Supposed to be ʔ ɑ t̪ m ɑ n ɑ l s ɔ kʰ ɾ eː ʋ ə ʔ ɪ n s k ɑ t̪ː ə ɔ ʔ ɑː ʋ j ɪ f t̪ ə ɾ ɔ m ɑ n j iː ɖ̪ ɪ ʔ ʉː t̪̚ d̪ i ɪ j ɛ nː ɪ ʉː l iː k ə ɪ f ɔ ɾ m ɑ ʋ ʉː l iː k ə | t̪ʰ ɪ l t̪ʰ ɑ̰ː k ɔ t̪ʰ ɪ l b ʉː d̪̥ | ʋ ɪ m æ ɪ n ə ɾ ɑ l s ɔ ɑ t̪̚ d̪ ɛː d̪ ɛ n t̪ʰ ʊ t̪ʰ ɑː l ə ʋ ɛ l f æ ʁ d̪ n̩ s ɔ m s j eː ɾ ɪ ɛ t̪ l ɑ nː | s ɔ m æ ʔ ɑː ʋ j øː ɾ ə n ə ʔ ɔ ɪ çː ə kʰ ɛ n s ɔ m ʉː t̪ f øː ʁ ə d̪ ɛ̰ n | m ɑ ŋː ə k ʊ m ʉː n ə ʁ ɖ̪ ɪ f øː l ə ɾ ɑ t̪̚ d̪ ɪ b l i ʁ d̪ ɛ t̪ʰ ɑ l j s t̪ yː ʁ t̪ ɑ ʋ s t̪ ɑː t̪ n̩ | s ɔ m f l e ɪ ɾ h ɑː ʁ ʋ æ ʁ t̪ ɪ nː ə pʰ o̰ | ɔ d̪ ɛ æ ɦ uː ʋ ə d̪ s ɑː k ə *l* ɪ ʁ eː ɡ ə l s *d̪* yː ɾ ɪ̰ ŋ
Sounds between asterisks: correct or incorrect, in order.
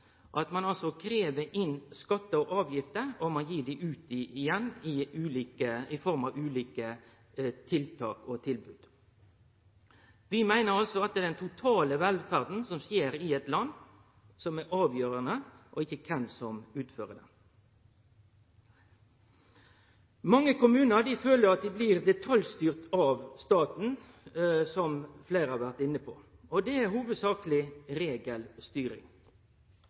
correct, incorrect: t̪

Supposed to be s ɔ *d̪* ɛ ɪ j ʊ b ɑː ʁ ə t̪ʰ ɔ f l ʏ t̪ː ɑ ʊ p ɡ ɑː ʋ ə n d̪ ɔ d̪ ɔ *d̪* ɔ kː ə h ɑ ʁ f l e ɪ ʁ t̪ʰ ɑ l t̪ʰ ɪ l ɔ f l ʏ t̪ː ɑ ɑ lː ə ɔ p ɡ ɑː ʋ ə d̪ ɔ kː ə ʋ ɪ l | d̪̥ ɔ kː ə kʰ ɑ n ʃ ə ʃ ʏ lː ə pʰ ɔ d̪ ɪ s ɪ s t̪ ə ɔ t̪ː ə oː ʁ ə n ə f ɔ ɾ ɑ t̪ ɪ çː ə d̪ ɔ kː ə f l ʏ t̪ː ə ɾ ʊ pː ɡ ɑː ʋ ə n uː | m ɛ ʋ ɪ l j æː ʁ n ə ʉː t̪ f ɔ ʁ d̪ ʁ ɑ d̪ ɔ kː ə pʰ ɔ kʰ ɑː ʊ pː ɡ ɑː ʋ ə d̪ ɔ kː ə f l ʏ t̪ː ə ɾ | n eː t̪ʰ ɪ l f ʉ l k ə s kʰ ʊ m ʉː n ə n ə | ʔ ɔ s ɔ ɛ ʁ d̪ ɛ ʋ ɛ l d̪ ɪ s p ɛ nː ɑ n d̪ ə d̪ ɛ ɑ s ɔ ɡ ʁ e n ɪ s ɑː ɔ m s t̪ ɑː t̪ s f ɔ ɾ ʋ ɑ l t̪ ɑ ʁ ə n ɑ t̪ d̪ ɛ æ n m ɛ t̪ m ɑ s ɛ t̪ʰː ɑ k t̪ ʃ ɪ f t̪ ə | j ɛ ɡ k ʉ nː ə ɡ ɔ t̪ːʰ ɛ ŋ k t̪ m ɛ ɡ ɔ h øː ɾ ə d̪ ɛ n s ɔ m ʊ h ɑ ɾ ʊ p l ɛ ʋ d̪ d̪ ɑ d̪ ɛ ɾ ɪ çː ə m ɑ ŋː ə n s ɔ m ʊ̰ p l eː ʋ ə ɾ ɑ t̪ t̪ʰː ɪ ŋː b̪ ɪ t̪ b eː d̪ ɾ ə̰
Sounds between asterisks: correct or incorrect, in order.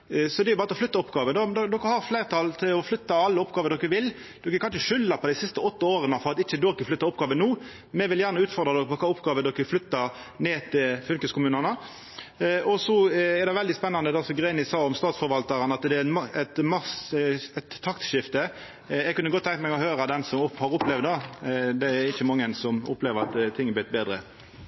correct, correct

